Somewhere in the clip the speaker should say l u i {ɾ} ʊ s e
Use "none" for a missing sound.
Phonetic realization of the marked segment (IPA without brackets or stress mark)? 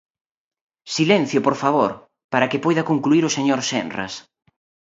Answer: ɾ